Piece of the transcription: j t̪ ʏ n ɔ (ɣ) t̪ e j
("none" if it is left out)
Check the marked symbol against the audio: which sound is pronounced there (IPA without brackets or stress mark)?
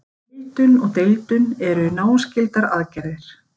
ɣ